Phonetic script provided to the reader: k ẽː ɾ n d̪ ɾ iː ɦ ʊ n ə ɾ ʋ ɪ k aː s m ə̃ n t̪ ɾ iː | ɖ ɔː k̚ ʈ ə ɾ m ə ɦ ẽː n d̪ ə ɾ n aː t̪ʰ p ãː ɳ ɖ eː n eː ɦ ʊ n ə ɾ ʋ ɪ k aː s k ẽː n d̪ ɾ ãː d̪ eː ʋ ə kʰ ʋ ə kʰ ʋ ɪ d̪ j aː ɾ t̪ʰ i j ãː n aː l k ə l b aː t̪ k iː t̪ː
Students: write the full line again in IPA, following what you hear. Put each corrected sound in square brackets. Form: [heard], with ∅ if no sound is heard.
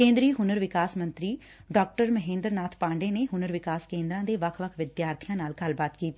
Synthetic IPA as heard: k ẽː [∅] n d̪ ɾ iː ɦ ʊ n ə ɾ ʋ ɪ k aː s m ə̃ n t̪ ɾ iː | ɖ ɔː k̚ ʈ ə ɾ m ə ɦ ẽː n d̪ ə ɾ n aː t̪ʰ p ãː ɳ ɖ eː n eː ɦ ʊ n ə ɾ ʋ ɪ k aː s k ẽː n d̪ ɾ ãː d̪ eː ʋ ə kʰ ʋ ə kʰ ʋ ɪ d̪ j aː ɾ t̪ʰ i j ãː n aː l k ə l b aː t̪ k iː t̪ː